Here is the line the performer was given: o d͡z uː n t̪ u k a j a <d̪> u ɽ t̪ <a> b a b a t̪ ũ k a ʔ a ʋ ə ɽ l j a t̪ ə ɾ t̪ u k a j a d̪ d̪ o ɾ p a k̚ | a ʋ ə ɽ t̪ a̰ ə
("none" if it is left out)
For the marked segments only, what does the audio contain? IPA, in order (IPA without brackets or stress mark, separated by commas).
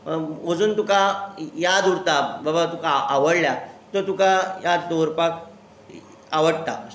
d̪, a